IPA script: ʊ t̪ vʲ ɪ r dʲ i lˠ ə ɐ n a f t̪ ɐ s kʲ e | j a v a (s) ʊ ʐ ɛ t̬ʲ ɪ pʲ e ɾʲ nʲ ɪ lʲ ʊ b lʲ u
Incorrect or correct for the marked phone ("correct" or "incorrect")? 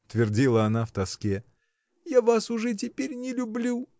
correct